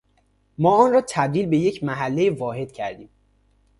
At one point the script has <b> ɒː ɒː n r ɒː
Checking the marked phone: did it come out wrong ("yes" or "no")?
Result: yes